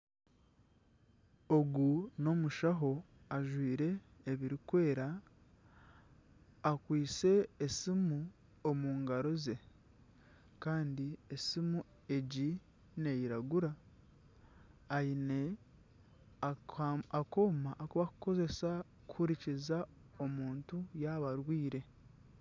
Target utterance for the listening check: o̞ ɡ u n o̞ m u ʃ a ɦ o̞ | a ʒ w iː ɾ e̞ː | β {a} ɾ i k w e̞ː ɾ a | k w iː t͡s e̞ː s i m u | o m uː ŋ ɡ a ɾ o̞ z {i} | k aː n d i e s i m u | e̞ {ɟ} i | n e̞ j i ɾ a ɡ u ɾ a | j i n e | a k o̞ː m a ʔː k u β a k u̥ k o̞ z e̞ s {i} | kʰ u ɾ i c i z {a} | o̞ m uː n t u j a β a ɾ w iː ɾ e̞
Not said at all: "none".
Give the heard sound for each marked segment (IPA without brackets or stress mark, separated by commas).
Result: i, e, ɟ, a, a